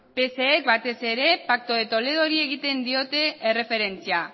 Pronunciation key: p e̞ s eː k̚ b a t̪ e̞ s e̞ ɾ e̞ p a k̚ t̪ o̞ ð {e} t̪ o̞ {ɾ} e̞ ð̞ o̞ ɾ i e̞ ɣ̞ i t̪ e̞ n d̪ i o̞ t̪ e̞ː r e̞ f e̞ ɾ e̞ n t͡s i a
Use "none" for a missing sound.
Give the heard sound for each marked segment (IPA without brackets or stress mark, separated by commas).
e, l